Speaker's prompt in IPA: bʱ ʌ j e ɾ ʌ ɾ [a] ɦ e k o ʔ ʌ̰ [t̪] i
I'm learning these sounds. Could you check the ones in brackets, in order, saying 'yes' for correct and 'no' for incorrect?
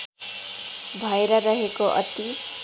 no, yes

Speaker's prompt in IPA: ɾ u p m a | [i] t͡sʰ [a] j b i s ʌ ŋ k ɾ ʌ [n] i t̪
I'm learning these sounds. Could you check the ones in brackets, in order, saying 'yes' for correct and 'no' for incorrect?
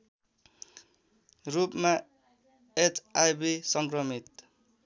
no, yes, no

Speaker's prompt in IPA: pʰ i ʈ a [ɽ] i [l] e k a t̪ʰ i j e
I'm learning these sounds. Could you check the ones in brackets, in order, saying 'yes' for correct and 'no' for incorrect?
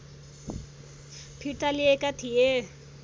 no, no

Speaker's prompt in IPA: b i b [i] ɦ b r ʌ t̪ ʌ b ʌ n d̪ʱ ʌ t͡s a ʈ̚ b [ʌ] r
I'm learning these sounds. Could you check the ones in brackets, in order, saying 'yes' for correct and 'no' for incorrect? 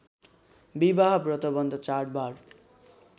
no, no

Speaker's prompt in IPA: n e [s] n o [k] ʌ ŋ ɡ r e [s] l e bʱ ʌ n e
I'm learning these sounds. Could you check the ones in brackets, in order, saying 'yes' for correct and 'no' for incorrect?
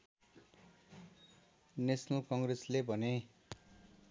yes, yes, yes

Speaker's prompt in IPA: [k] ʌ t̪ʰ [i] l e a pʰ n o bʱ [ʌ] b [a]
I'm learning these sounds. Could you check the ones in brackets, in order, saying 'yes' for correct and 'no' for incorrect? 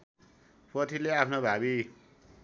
no, yes, no, no

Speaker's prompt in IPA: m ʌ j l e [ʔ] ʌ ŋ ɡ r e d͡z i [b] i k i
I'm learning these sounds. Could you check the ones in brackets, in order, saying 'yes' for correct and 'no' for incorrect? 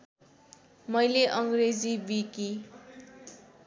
yes, yes

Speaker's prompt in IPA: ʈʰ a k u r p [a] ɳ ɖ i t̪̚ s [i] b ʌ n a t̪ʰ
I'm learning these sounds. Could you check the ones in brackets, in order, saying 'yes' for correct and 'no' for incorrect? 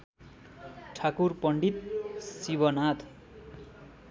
no, yes

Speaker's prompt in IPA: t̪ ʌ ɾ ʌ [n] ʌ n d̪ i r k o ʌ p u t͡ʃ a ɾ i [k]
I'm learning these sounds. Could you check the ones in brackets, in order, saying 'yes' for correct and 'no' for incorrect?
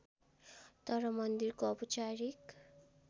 no, yes

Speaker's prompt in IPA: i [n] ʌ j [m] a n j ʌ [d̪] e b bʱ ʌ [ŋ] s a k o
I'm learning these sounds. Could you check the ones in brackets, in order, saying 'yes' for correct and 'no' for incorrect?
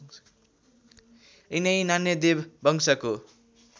yes, no, yes, yes

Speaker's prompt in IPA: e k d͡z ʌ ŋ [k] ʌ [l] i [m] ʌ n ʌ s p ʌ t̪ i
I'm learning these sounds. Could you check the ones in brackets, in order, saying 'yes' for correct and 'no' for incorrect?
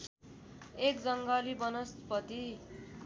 no, yes, no

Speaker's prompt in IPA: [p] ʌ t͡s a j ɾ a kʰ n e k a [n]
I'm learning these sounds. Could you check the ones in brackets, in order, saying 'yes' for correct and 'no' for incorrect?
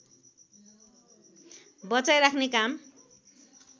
no, no

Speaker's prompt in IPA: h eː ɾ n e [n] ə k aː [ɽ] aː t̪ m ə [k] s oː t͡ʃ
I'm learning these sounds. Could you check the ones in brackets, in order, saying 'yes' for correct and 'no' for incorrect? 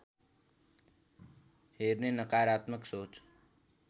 yes, no, yes

